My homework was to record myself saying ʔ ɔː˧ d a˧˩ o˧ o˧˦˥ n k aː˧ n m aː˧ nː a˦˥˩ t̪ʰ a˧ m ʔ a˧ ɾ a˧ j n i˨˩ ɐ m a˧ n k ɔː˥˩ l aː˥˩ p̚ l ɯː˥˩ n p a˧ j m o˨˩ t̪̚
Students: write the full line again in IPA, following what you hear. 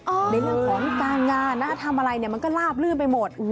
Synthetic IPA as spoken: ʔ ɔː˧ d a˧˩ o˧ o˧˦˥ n k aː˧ n ŋ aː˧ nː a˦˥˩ t̪ʰ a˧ m ʔ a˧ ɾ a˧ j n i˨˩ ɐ m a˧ n k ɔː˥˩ l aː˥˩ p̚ l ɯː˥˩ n p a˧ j m o˨˩ t̪̚